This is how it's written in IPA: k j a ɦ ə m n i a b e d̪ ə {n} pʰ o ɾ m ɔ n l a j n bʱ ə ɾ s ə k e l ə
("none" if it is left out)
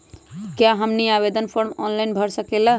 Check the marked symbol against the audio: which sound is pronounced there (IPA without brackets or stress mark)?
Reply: n